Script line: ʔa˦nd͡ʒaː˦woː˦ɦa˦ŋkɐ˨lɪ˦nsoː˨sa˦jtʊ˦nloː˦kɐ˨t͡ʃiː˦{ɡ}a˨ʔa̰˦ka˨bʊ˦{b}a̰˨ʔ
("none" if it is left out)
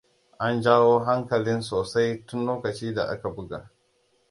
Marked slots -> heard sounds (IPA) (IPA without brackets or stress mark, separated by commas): d, ɡ